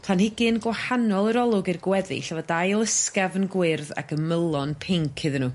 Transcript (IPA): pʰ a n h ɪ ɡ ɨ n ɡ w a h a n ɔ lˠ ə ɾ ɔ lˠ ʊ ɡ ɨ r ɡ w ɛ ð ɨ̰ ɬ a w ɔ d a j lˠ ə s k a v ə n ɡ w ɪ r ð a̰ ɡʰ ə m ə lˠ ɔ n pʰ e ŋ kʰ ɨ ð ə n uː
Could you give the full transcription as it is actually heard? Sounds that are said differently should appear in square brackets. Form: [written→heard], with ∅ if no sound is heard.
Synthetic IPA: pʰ a n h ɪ ɡ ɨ n ɡ w a h a n ɔ lˠ ə ɾ ɔ lˠ ʊ ɡ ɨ r ɡ w ɛ ð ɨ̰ ɬ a [w→v] ɔ d a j lˠ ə s k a v ə n ɡ w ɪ r ð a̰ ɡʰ ə m ə lˠ ɔ n pʰ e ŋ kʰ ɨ ð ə n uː

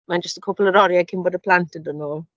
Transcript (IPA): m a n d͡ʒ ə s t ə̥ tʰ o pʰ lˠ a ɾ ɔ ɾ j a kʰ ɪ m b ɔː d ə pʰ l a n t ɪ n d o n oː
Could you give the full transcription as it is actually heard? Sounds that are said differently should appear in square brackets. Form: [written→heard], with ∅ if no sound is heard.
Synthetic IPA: m a n d͡ʒ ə s t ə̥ [tʰ→kʰ] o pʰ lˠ [a→ə] ɾ ɔ ɾ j a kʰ ɪ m b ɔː d ə pʰ l a n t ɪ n d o n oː

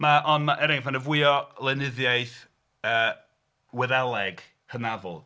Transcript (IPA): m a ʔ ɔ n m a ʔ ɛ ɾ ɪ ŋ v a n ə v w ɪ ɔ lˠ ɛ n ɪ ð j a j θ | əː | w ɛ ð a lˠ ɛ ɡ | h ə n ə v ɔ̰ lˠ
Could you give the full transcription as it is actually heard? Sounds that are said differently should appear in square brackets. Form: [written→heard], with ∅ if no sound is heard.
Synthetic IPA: m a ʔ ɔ n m a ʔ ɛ ɾ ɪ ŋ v a n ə v w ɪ ɔ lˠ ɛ n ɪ ð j a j θ | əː | w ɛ ð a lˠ ɛ ɡ | h ə n [ə→a] v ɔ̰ lˠ

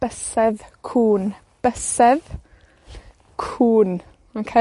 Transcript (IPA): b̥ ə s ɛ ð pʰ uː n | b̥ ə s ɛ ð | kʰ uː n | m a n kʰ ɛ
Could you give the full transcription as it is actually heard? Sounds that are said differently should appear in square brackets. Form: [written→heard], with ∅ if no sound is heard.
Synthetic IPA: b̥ ə s ɛ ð [pʰ→kʰ] uː n | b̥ ə s ɛ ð | kʰ uː n | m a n kʰ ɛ

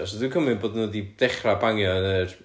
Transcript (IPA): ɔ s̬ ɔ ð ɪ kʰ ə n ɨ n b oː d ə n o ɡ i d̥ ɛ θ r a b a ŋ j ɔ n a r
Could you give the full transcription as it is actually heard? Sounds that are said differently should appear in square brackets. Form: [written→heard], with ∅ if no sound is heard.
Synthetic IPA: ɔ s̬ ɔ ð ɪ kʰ ə [n→m] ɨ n b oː d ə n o [ɡ→d] i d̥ ɛ [θ→χ] r a b a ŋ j ɔ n [a→ə] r

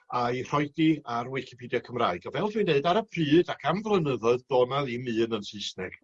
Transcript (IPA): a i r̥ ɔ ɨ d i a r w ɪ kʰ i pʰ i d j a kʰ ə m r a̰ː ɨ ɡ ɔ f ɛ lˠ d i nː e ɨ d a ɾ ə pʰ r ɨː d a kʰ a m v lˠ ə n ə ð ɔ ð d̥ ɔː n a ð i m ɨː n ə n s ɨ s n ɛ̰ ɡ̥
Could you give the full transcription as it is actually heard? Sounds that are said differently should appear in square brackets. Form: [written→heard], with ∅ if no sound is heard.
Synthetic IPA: a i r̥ ɔ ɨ d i a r w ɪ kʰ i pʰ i d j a kʰ ə m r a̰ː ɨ ɡ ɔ [f→v] ɛ lˠ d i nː e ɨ d a ɾ ə pʰ r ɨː d a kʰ a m v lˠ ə n ə ð ɔ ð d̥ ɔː n a ð i m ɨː n ə n s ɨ s n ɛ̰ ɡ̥

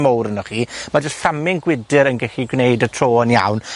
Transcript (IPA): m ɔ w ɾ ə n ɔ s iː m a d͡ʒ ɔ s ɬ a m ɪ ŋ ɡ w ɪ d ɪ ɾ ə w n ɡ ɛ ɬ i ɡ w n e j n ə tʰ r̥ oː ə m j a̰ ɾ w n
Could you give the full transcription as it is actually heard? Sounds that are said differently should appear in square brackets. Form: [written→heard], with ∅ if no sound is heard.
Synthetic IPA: m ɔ w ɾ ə n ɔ [s→χ] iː m a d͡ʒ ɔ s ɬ a m ɪ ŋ ɡ w ɪ d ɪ ɾ ə [w→∅] n ɡ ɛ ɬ i ɡ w n e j [n→d] ə tʰ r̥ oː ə [m→n] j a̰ [ɾ→∅] w n

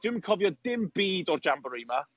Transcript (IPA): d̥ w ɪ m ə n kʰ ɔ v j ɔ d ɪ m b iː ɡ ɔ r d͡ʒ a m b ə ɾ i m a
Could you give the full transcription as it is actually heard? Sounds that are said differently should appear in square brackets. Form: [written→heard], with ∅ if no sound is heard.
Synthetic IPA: d̥ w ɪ m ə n kʰ ɔ v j ɔ d ɪ m b iː [ɡ→d] ɔ r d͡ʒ a m b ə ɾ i m a

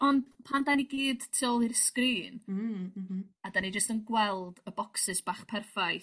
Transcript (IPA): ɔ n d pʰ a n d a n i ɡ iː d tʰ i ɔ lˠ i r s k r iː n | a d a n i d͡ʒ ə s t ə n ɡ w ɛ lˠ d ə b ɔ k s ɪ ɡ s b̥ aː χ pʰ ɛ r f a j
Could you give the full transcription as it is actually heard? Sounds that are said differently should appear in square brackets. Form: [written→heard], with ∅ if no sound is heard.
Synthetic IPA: ɔ n d pʰ a n d a n i ɡ iː d tʰ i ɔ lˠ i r s k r iː n | a d a n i d͡ʒ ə s t ə n ɡ w ɛ lˠ d ə b ɔ k s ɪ [ɡ→∅] s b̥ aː χ pʰ ɛ r f a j

